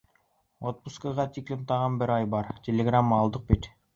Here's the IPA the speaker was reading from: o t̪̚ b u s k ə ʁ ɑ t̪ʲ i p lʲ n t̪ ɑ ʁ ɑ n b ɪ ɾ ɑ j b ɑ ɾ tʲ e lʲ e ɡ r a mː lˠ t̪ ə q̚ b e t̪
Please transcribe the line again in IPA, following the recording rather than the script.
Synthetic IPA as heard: o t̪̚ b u s k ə ʁ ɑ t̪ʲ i k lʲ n t̪ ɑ ʁ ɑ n b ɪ ɾ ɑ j b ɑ ɾ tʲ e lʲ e ɡ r a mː lˠ d̪ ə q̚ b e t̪